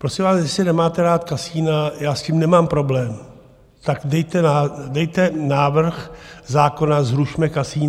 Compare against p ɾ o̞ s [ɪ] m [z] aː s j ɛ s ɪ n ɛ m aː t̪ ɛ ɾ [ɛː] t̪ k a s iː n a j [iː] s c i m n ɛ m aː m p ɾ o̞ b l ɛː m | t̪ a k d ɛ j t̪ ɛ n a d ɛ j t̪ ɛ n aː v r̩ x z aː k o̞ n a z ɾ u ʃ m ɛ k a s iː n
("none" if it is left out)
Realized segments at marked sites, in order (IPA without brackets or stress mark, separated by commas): ɪ, v, aː, aː